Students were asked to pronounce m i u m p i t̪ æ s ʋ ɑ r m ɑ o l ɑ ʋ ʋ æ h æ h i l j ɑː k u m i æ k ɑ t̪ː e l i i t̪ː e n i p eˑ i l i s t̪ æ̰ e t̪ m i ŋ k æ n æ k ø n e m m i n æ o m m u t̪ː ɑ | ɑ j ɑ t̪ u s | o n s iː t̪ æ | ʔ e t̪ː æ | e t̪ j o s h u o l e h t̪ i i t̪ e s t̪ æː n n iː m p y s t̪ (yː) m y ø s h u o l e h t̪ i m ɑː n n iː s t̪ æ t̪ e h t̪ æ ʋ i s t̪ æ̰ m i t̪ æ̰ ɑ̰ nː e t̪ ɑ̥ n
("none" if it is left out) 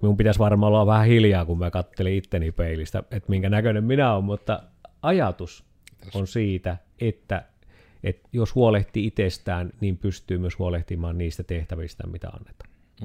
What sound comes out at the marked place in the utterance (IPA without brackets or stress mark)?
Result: yː